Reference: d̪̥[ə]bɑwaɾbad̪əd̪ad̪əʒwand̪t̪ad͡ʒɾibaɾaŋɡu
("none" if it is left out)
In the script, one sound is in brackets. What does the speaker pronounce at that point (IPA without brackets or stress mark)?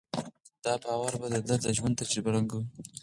ɑ